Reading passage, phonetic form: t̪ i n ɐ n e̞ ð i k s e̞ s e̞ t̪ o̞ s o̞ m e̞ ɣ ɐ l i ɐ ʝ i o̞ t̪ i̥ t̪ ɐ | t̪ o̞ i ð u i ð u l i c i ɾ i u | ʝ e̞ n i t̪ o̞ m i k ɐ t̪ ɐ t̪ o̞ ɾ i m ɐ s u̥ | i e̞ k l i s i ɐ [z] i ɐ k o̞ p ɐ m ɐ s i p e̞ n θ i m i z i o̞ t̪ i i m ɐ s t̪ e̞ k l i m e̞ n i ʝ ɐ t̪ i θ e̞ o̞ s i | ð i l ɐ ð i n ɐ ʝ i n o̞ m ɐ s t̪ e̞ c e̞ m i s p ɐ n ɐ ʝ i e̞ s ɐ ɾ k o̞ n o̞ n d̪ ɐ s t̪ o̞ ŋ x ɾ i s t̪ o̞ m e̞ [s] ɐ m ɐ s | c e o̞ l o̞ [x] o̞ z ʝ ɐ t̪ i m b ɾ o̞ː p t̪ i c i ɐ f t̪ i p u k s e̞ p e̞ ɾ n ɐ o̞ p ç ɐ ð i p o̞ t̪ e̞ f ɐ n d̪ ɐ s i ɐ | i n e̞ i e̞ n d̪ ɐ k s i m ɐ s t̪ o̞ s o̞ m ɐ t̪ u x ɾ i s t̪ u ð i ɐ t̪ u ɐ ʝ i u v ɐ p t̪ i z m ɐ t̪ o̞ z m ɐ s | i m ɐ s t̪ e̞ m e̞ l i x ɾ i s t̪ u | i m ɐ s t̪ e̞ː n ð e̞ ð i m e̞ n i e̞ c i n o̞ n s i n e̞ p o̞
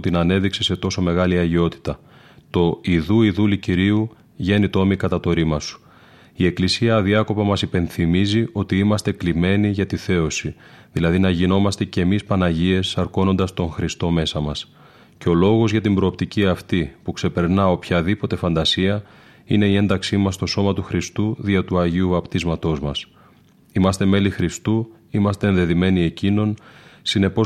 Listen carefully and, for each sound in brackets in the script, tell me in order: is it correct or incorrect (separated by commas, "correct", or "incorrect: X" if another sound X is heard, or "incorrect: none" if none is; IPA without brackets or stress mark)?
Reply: incorrect: ð, correct, incorrect: ɣ